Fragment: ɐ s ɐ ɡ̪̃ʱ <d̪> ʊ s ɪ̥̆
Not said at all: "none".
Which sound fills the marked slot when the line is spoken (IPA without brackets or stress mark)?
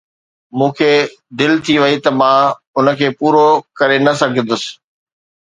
d̪